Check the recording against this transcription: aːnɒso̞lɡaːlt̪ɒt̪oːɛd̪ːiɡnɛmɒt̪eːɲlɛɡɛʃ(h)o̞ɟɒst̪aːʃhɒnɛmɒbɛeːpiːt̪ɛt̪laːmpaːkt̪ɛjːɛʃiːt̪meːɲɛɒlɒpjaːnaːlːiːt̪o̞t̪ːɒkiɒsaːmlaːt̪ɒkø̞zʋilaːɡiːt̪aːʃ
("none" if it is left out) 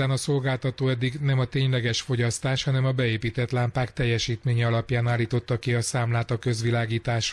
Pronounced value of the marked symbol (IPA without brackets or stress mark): f